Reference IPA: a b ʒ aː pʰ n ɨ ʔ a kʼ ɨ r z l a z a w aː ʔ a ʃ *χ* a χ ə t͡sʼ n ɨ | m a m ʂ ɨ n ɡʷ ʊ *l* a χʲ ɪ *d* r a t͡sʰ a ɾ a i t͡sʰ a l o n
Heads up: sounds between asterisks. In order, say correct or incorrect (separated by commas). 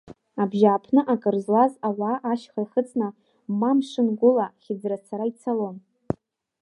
correct, correct, incorrect